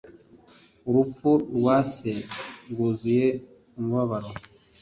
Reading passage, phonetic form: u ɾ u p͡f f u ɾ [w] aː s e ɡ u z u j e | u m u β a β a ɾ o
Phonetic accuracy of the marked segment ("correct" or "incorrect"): correct